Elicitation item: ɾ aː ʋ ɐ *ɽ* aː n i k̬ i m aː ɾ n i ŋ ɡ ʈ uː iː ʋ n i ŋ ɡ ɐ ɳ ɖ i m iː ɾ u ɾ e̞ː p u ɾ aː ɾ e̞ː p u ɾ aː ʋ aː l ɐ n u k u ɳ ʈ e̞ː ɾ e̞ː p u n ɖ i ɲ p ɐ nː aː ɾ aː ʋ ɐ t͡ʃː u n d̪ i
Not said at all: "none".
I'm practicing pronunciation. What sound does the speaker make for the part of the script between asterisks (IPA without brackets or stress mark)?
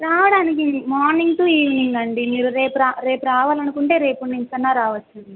ɽ